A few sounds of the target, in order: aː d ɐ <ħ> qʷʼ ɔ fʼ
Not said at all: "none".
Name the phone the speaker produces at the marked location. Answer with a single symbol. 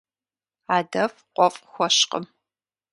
f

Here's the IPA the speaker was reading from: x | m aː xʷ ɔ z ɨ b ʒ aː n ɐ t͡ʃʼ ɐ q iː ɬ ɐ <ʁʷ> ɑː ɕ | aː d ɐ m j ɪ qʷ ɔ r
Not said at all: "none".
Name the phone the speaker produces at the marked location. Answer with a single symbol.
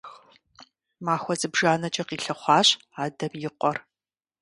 χʷ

